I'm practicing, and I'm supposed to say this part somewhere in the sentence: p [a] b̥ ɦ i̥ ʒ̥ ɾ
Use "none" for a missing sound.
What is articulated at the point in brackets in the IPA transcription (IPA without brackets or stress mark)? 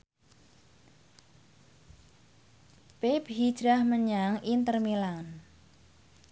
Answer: e